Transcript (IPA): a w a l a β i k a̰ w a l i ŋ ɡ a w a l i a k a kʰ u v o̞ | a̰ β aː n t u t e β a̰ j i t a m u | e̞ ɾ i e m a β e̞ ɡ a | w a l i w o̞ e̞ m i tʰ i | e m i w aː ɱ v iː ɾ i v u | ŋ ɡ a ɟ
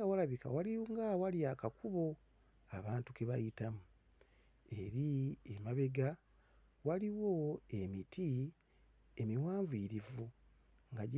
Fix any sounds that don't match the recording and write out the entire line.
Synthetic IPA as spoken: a w a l a β i k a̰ w a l i ŋ ɡ a w a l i a k a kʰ u β o̞ | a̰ β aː n t u k e β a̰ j i t a m u | e̞ ɾ i e m a β e̞ ɡ a | w a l i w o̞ e̞ m i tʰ i | e m i w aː ɱ v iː ɾ i v u | ŋ ɡ a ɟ